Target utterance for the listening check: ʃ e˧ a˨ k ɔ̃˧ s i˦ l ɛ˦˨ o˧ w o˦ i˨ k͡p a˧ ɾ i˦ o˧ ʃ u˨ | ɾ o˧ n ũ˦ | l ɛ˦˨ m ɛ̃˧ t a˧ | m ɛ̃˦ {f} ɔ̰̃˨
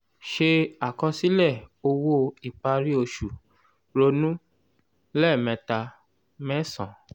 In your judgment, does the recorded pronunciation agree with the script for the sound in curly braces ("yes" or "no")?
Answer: no